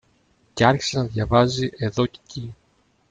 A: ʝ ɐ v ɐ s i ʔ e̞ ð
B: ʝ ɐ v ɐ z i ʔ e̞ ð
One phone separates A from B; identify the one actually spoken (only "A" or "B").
B